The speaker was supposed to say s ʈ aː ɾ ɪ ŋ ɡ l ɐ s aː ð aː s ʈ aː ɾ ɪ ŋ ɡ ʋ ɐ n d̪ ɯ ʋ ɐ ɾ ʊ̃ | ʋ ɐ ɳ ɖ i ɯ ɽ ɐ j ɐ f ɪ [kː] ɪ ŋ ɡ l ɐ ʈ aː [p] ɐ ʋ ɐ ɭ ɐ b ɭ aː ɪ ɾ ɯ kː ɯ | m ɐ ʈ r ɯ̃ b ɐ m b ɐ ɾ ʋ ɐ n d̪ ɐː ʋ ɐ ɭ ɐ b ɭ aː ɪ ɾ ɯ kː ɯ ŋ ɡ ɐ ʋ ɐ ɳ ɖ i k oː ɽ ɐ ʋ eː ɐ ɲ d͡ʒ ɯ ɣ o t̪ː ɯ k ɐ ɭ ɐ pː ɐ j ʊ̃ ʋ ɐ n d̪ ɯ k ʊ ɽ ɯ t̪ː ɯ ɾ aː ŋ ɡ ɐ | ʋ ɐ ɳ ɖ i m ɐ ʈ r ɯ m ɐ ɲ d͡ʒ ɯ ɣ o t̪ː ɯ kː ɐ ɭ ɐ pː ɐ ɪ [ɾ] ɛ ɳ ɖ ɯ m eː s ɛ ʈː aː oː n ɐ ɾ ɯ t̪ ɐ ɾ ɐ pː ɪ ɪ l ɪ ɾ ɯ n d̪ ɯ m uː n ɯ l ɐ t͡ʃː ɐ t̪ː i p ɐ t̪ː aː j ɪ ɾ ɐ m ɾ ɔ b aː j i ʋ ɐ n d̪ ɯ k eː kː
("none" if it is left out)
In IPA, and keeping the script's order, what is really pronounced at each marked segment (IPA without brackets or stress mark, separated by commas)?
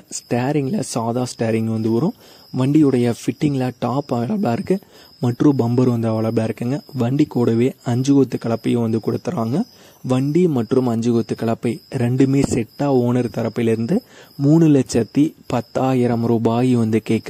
ʈː, p, ɾ